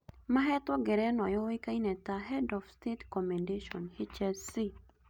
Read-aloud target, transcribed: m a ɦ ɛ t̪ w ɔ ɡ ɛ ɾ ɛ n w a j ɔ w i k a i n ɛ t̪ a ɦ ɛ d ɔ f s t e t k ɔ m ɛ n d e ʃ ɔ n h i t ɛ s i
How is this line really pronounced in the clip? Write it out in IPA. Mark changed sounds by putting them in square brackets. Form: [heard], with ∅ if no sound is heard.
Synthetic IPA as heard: m a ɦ ɛ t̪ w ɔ ɡ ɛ ɾ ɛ n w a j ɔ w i k a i n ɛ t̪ a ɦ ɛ d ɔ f s t e t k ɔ m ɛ n d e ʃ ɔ n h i [t͡ʃ] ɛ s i